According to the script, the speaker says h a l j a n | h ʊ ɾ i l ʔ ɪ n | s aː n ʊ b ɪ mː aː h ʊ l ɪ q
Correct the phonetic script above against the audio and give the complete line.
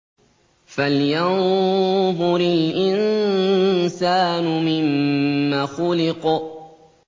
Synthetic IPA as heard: f a l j a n | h ʊ ɾ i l ʔ ɪ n | s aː n ʊ m ɪ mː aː x ʊ l ɪ q